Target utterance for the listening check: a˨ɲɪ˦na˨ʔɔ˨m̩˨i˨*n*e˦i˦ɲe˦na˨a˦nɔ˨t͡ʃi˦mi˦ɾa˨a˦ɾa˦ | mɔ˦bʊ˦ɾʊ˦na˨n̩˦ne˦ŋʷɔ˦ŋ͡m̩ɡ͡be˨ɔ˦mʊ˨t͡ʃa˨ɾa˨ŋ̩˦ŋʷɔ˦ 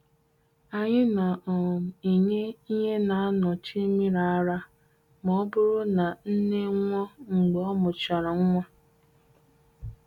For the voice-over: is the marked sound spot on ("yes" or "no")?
no